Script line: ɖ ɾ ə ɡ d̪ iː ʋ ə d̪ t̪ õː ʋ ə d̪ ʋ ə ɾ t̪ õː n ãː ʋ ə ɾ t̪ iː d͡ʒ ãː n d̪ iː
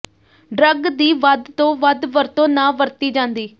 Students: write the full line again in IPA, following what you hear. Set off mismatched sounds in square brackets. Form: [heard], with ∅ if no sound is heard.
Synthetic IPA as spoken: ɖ ɾ ə ɡ d̪ iː ʋ ə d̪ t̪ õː ʋ ə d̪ ʋ ə ɾ t̪ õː n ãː ʋ ə ɾ t̪ iː d͡ʒ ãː n d̪ iː